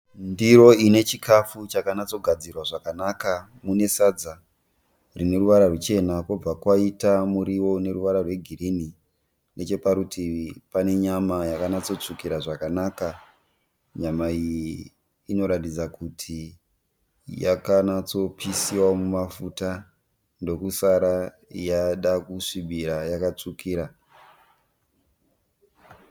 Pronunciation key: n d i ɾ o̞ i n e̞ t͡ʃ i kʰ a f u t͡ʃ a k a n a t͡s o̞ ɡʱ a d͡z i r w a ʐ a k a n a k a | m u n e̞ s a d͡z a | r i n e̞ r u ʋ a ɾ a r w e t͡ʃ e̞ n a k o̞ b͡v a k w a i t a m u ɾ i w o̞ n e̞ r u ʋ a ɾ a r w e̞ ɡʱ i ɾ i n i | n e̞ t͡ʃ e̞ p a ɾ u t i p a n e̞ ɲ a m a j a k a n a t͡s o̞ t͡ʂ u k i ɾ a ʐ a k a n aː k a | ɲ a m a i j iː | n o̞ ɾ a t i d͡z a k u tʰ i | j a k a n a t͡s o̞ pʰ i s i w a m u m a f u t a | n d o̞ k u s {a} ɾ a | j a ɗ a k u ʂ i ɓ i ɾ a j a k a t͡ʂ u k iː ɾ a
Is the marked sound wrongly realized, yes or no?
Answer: no